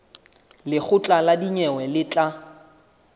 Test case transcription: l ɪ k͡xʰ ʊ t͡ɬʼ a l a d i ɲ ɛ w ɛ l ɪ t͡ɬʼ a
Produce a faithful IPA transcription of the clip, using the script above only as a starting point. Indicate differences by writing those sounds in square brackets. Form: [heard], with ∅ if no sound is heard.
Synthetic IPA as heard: l ɪ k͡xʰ ʊ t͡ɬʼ a l a d i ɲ ɛ w ɛ l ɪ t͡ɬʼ a